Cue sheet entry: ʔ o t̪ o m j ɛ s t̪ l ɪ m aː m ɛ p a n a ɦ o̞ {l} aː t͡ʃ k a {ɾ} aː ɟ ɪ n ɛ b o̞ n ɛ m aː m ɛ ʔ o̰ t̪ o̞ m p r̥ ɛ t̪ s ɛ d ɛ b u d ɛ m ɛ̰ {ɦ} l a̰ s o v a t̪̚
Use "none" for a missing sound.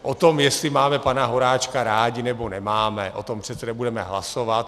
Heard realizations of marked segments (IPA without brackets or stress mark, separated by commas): ɾ, ɾ, ɦ